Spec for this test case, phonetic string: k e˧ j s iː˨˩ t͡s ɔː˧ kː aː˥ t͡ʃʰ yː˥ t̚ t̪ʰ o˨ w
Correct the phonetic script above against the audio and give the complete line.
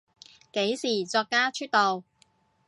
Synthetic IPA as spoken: k e˨˥ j s iː˨˩ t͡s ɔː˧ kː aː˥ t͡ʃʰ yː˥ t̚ t̪ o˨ w